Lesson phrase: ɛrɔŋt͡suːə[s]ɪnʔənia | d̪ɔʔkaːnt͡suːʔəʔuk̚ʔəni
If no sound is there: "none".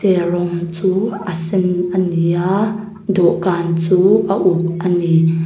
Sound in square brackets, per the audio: s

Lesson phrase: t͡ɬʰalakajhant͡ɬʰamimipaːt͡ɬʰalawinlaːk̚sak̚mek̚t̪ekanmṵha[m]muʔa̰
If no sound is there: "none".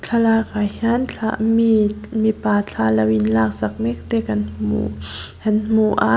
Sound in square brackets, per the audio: n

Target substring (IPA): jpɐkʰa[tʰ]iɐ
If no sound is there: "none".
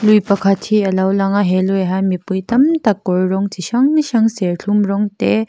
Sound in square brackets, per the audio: tʰ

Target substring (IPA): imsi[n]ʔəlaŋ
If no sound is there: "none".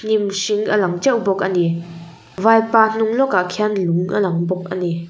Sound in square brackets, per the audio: ŋ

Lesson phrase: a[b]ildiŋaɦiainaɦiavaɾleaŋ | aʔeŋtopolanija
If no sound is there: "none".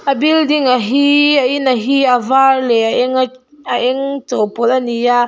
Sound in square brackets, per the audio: b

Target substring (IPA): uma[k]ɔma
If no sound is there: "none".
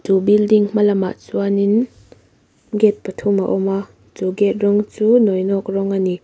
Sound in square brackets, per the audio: ʔ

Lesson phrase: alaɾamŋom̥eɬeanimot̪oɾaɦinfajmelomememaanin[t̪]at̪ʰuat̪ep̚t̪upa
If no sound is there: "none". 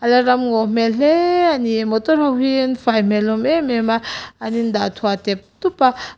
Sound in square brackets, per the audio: d̪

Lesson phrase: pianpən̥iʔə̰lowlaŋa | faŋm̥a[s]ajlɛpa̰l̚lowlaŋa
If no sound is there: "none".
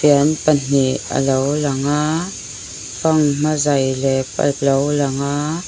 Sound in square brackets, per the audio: z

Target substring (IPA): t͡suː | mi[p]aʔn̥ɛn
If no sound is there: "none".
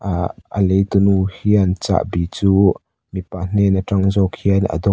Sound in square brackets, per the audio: p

